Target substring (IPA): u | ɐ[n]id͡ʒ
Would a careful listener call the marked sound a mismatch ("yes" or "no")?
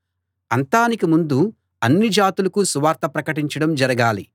yes